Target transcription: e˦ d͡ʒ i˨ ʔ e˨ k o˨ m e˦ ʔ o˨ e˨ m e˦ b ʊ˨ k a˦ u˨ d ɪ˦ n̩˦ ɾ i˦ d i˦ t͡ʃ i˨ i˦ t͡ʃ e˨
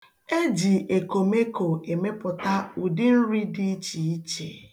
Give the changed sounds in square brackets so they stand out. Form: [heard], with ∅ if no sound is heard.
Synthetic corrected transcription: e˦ d͡ʒ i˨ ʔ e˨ k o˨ m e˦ [k] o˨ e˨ m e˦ [p] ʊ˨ [t] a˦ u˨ d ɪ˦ n̩˦ ɾ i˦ d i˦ t͡ʃ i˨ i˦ t͡ʃ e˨